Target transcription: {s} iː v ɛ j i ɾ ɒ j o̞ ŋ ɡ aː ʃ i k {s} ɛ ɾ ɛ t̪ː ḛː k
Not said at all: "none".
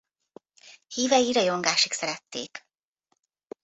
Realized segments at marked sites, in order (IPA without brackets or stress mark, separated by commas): h, s